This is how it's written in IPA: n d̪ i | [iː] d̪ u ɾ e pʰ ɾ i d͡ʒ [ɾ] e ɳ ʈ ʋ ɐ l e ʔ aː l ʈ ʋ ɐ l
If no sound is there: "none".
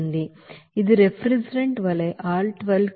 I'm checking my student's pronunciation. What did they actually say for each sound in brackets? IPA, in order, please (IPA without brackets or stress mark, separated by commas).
i, ɾ